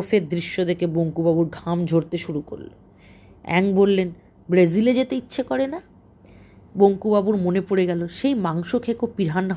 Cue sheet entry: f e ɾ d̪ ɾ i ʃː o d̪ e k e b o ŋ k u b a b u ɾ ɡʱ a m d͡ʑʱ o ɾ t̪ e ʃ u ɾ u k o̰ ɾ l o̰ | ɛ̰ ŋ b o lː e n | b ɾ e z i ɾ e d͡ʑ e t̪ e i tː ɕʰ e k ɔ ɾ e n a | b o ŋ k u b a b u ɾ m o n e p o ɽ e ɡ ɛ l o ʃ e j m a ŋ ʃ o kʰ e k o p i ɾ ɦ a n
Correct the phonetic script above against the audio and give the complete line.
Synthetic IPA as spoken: f e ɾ d̪ ɾ i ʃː o d̪ e k e b o ŋ k u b a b u ɾ ɡʱ a m d͡ʑʱ o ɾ t̪ e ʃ u ɾ u k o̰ ɾ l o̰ | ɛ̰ ŋ b o lː e n | b ɾ e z i l e d͡ʑ e t̪ e i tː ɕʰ e k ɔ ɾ e n a | b o ŋ k u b a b u ɾ m o n e p o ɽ e ɡ ɛ l o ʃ e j m a ŋ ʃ o kʰ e k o p i ɾ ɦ a n